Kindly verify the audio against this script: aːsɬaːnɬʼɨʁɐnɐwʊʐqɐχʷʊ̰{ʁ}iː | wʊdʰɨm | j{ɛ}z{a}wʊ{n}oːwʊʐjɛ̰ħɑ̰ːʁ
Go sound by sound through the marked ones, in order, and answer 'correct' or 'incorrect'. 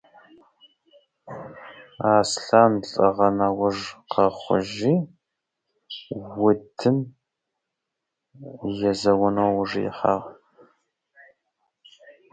incorrect: ʒ, correct, incorrect: ɐ, correct

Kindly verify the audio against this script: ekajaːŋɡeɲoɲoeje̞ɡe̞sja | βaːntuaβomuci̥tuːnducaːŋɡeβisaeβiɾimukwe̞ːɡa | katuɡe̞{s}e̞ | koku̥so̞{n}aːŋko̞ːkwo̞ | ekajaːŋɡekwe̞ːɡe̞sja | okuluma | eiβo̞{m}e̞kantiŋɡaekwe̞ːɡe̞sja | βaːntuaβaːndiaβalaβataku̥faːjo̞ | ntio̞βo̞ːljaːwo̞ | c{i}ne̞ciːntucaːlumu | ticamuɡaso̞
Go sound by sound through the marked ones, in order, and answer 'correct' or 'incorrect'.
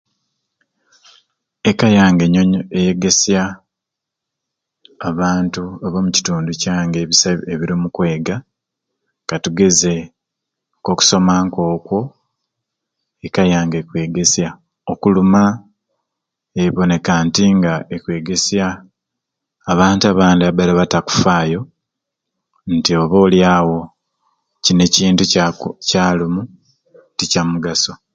incorrect: z, incorrect: m, incorrect: n, correct

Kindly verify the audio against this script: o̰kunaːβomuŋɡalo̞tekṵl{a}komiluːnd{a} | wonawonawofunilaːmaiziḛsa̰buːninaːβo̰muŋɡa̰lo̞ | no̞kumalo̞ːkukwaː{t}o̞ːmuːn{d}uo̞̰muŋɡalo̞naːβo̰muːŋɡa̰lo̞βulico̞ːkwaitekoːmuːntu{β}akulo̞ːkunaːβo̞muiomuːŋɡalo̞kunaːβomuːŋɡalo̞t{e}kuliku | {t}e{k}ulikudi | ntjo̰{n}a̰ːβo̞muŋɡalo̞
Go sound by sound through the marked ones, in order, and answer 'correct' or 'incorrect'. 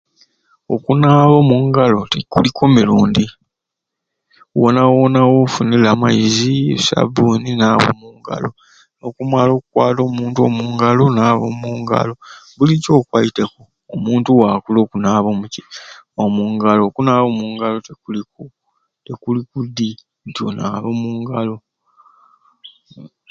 incorrect: i, incorrect: i, correct, incorrect: t, incorrect: w, correct, correct, correct, correct

